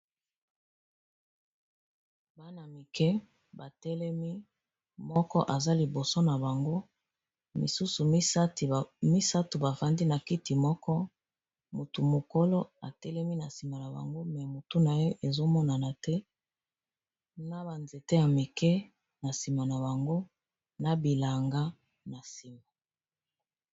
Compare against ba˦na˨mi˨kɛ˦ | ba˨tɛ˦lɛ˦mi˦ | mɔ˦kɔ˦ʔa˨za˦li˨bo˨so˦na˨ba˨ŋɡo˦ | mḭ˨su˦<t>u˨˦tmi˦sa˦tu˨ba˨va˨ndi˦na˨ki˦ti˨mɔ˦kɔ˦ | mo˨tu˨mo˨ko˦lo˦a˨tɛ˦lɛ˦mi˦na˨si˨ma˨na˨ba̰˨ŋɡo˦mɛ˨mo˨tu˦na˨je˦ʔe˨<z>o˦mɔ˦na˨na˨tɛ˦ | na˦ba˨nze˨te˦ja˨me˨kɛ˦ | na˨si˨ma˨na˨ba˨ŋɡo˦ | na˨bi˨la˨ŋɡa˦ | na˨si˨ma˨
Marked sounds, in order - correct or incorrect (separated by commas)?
incorrect, correct